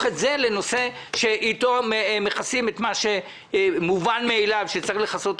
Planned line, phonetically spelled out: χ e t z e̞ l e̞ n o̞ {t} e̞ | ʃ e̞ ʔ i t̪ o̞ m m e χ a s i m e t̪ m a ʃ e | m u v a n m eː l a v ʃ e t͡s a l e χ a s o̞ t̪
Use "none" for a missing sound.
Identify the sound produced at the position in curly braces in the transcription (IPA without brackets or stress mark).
s